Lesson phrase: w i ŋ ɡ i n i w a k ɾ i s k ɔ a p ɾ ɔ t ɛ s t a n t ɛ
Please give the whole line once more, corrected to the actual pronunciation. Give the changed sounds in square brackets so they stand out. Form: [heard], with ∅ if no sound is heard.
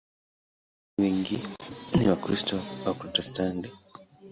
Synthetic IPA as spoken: w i ŋ ɡ i n i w a k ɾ i s [t] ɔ a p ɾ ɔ t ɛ s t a n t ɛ